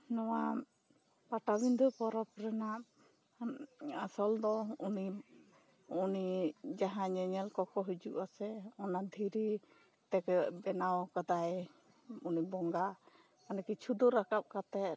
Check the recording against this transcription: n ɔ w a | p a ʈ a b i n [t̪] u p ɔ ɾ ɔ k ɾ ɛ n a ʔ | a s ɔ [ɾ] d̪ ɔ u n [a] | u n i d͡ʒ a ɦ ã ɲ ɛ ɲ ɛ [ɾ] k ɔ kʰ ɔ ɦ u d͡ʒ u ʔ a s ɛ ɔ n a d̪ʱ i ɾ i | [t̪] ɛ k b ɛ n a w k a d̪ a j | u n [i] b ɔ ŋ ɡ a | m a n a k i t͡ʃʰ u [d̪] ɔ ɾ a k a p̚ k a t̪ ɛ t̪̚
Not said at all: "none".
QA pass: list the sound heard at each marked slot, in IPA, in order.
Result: d̪, l, i, l, t̪, i, d̪

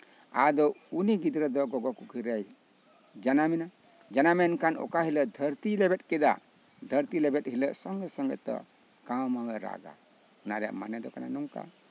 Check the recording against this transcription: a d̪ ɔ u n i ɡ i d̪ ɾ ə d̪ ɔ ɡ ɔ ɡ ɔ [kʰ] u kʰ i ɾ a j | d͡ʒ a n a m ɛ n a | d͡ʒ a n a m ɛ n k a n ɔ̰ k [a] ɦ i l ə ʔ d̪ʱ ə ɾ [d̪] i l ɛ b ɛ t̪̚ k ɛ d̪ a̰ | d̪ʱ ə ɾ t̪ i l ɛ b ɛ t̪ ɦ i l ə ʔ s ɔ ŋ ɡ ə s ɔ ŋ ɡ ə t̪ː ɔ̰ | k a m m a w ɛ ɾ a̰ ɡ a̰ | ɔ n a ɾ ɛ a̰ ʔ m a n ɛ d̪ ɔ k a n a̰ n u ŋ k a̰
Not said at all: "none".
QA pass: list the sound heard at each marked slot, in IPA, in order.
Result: k, a, t̪

